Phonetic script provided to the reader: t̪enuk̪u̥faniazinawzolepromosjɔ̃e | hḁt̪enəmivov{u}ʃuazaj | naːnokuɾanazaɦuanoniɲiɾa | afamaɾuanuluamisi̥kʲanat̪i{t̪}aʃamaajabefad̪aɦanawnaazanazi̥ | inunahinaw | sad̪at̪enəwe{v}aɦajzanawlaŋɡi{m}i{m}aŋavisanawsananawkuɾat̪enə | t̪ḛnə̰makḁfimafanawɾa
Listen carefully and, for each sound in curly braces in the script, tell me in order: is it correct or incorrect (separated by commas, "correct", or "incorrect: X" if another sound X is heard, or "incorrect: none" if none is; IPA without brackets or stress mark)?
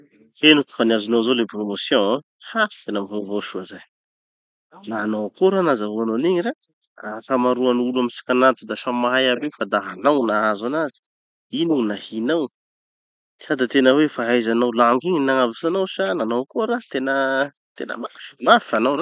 incorrect: o, incorrect: d̪, incorrect: f, incorrect: ɲ, incorrect: n